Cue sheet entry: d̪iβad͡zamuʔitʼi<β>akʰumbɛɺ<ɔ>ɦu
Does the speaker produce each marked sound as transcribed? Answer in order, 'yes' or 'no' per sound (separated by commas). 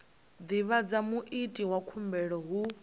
no, yes